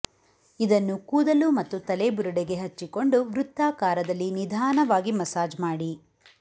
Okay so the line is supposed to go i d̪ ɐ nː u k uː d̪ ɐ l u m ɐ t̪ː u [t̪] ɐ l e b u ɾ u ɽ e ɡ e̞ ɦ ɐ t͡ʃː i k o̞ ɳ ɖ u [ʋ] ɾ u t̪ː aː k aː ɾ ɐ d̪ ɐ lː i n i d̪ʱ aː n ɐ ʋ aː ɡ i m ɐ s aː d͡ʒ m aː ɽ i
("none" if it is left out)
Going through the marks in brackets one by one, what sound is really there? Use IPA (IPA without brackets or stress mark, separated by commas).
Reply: t̪, ʋ